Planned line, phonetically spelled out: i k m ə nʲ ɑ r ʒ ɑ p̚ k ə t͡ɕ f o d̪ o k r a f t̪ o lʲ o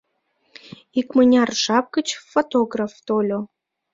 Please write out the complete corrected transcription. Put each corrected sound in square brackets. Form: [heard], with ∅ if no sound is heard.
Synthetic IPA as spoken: i k m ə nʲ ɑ r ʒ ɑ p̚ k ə t͡ɕ f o [t̪] o [ɡ] r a f t̪ o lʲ o